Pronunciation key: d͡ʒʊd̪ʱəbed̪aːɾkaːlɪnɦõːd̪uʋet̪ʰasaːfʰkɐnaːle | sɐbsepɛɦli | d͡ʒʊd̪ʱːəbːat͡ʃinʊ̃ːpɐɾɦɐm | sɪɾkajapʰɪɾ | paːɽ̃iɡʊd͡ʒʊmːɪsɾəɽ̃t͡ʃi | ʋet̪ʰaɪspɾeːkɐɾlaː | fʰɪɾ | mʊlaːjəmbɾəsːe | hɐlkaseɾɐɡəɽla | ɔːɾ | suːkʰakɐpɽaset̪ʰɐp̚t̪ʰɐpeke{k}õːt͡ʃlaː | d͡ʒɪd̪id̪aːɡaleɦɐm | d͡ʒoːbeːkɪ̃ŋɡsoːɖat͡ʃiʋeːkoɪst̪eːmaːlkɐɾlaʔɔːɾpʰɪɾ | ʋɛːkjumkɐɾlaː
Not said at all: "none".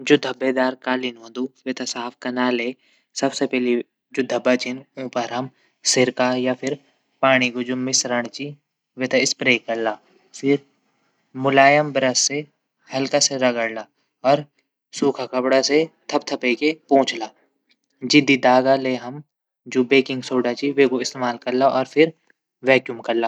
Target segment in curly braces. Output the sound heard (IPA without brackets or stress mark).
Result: p